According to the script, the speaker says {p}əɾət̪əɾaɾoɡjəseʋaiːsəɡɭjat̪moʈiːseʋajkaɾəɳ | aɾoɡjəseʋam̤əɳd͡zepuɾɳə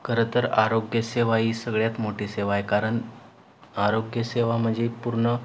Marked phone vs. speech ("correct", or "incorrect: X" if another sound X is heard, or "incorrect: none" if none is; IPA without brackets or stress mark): incorrect: k